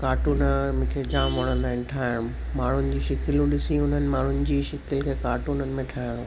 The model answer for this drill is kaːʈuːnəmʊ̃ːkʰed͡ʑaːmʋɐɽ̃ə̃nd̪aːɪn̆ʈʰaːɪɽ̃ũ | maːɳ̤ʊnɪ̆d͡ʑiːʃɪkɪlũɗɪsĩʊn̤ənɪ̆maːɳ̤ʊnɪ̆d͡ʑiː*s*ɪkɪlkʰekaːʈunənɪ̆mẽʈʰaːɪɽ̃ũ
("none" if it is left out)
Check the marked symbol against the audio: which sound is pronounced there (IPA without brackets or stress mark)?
ʃ